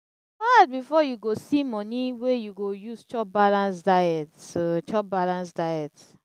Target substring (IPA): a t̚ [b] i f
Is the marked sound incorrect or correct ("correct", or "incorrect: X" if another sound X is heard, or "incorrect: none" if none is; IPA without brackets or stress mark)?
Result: correct